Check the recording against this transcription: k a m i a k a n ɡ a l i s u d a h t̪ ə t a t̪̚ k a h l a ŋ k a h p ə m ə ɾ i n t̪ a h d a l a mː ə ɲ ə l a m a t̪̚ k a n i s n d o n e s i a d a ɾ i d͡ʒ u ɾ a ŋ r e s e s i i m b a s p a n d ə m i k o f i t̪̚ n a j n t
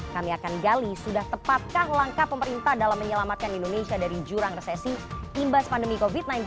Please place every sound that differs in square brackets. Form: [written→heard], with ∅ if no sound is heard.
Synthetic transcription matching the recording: k a m i a k a n ɡ a l i s u d a h t̪ ə [t→p] a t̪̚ k a h l a ŋ k a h p ə m ə ɾ i n t̪ a h d a l a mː ə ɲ ə l a m a t̪̚ k a n i [s→∅] n d o n e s i a d a ɾ i d͡ʒ u ɾ a ŋ r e s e s i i m b a s p a n d ə m i k o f i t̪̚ n a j n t